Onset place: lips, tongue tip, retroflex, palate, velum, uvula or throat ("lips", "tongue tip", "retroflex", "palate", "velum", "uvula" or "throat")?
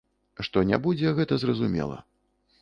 retroflex